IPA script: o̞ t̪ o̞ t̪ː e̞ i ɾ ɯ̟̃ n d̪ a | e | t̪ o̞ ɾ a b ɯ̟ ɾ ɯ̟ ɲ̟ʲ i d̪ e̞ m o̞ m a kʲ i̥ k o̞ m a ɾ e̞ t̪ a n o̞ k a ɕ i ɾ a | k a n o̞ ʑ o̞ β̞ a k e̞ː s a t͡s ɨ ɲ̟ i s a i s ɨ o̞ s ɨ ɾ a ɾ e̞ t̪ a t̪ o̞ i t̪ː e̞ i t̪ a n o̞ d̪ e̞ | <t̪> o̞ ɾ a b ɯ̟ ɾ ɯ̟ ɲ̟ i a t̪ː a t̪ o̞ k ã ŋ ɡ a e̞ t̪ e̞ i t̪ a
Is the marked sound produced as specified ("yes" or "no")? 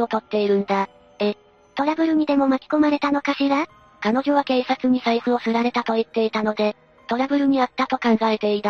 yes